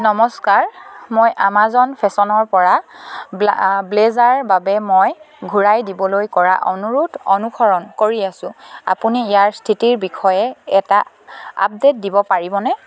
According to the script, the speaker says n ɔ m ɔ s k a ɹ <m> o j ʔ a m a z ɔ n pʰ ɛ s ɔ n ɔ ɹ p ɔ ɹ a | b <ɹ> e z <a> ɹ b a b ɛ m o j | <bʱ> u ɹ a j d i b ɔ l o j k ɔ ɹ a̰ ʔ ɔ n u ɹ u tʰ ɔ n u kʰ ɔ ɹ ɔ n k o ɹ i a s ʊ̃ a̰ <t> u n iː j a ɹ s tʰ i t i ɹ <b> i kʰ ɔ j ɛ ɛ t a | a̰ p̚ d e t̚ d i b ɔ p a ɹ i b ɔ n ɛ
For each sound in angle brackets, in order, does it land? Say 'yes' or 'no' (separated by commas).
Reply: yes, no, yes, no, no, yes